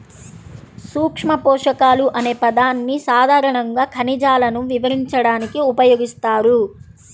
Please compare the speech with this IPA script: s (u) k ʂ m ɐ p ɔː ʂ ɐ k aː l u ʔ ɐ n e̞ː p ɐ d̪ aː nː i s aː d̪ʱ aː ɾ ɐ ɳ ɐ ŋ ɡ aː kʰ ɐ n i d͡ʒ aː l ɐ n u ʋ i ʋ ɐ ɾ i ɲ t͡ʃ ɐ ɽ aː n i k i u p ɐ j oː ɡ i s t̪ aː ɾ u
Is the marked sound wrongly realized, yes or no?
yes